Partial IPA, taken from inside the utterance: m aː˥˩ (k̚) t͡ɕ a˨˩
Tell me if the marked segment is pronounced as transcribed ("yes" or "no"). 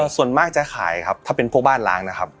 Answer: yes